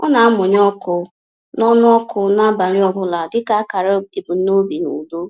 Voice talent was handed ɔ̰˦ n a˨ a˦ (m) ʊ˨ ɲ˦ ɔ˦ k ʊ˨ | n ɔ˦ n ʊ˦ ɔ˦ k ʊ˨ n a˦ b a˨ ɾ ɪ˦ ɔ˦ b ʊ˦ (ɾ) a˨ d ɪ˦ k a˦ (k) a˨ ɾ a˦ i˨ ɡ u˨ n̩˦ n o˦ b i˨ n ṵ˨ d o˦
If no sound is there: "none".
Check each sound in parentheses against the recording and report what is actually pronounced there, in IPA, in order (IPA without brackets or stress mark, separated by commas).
m, l, k